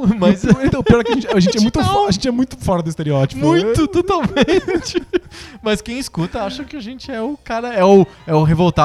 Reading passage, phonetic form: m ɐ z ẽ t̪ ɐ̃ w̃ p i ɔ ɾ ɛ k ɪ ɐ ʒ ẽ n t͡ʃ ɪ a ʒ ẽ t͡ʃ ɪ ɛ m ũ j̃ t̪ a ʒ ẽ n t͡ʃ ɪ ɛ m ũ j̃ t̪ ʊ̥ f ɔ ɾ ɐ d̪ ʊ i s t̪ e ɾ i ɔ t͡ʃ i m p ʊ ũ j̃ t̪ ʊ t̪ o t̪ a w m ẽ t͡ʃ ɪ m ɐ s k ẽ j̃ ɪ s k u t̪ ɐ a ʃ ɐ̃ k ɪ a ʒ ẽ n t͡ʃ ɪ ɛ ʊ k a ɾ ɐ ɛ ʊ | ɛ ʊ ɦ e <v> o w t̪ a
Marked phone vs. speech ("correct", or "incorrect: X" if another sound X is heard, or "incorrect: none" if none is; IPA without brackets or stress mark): correct